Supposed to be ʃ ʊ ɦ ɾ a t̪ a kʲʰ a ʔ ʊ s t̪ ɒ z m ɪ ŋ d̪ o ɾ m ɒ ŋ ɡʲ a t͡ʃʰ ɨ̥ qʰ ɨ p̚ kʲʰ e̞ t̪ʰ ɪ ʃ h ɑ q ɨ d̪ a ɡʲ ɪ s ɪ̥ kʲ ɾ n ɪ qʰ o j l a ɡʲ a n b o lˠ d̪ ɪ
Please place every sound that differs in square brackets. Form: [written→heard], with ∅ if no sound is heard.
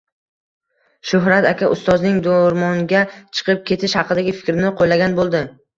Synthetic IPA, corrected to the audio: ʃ ʊ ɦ ɾ a t̪ a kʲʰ a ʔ ʊ s t̪ ɒ z [m→n] ɪ ŋ d̪ o ɾ m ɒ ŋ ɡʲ a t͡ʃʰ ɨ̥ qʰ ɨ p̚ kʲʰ e̞ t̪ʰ ɪ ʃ h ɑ q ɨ d̪ a ɡʲ ɪ [s→f] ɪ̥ kʲ ɾ n ɪ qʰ o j l a ɡʲ a n b o lˠ d̪ ɪ